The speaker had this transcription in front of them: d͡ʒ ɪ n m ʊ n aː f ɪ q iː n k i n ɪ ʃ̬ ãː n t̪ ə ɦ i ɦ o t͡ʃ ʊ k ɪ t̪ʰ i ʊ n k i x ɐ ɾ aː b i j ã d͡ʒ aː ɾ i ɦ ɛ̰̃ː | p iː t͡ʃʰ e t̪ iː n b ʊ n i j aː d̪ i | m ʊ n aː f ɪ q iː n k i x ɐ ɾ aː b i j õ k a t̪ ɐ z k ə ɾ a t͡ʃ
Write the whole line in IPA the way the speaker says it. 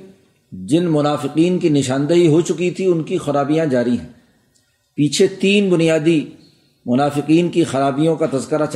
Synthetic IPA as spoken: d͡ʒ ɪ n m ʊ n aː f ɪ q iː n k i n ɪ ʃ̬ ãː n d̪ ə ɦ i ɦ o t͡ʃ ʊ k i t̪ʰ i ʊ n k i x ɐ ɾ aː b i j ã d͡ʒ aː ɾ i ɦ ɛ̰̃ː | p iː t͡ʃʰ e t̪ iː n b ʊ n i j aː d̪ i | m ʊ n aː f ɪ q iː n k i x ɐ ɾ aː b i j õ k a t̪ ɐ z k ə ɾ a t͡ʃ